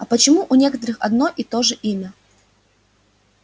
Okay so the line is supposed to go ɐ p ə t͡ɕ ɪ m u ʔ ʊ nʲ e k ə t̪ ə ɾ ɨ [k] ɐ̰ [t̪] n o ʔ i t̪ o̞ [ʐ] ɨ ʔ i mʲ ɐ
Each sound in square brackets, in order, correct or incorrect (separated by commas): incorrect, incorrect, correct